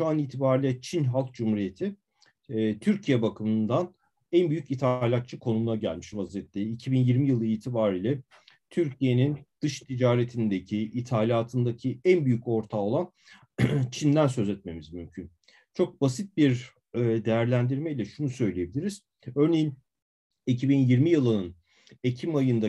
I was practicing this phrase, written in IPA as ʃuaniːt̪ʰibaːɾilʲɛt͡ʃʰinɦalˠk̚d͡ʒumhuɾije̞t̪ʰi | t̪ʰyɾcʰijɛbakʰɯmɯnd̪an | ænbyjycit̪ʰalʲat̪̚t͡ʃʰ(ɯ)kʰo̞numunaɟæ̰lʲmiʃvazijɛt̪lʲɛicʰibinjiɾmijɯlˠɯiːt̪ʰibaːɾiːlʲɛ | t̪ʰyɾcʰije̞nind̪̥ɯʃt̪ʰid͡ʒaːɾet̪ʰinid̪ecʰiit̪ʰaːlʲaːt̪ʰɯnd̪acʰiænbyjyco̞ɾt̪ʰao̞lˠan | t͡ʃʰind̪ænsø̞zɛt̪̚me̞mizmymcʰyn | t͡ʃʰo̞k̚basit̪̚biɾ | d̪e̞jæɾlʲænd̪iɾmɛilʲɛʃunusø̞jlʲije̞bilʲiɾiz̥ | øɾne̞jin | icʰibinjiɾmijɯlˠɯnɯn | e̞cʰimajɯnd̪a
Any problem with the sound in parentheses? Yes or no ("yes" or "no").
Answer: no